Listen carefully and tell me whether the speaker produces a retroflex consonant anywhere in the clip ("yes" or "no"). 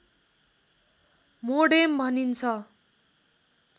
yes